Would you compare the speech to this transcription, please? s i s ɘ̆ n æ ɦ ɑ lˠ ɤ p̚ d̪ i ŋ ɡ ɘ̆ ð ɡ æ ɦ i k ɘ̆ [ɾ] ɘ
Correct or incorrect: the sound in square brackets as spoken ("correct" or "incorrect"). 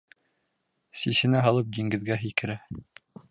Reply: correct